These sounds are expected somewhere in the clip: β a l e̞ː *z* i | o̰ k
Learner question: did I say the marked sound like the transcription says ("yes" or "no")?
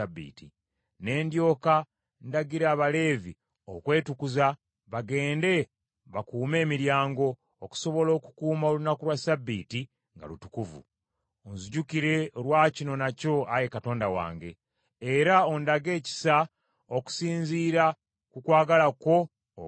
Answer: no